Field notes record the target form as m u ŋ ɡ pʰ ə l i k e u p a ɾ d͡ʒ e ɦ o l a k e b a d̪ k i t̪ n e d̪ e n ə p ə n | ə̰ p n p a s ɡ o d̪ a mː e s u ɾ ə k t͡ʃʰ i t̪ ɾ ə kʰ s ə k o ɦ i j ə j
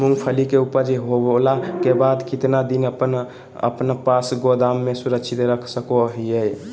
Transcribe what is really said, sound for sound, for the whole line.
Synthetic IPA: m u ŋ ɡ pʰ ə l i k e u p ə ɾ d͡ʒ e ɦ o l a k e b a d̪ k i t̪ n a d̪ i n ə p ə n | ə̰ p n p a s ɡ o d̪ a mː e s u ɾ ə k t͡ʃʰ i t̪ ɾ ə kʰ s ə k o ɦ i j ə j